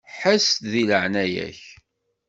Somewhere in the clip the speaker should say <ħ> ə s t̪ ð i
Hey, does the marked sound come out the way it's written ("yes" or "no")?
yes